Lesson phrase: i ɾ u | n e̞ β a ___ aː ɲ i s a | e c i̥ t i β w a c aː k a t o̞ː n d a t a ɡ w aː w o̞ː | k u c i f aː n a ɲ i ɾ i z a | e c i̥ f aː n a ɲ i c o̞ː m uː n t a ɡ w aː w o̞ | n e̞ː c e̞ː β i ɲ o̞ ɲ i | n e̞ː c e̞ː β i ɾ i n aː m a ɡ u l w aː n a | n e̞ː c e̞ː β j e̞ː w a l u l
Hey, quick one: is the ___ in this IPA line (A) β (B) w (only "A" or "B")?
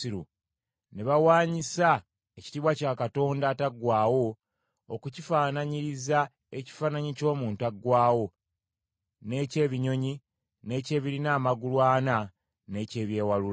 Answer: B